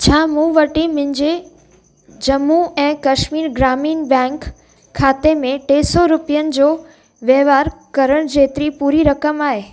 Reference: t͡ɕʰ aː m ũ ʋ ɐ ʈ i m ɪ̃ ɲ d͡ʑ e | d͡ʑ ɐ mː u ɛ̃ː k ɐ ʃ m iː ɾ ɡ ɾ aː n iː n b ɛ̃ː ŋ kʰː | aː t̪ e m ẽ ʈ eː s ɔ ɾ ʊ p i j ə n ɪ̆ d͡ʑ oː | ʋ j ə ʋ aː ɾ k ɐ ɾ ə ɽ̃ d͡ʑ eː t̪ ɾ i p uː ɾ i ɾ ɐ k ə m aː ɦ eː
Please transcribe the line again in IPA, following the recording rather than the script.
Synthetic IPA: t͡ɕʰ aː m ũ ʋ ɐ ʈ i m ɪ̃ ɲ d͡ʑ e | d͡ʑ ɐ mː u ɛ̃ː k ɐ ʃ m iː ɾ ɡ ɾ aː m iː n b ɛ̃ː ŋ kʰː | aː t̪ e m ẽ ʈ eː s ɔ ɾ ʊ p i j ə n ɪ̆ d͡ʑ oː | ʋ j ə ʋ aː ɾ k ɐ ɾ ə ɽ̃ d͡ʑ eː t̪ ɾ i p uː ɾ i ɾ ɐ k ə m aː ɦ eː